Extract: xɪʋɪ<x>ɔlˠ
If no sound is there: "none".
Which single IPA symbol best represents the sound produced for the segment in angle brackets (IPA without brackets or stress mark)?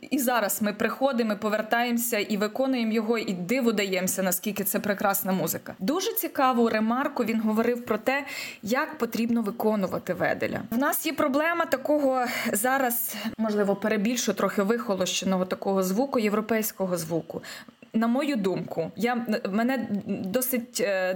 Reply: x